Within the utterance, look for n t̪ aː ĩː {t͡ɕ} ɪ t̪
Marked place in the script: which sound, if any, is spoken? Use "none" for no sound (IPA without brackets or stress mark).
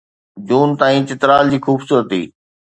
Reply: t͡ɕ